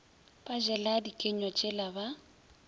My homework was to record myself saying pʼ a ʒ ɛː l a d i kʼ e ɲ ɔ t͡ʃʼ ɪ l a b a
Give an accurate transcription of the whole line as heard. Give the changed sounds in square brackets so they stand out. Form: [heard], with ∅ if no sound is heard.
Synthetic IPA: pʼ a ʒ [ɛ] l a d i kʼ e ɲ ɔ t͡ʃʼ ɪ l a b a